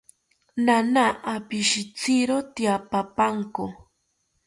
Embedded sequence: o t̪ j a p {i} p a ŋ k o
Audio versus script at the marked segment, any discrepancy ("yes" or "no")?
yes